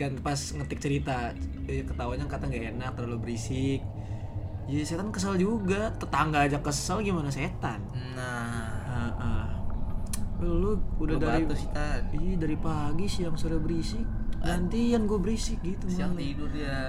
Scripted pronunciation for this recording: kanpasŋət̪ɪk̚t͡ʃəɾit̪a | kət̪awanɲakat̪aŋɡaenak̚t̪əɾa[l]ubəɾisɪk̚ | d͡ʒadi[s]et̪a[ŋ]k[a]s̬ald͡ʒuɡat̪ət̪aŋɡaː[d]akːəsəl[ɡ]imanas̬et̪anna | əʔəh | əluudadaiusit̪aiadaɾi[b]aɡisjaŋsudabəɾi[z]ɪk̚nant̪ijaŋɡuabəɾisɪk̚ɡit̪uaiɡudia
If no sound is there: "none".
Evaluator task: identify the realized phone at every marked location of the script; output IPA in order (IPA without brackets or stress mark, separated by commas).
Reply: l, s, n, ə, d͡ʒ, ɡ, p, s